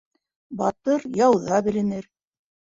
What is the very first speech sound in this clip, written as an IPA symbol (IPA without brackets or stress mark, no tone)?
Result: b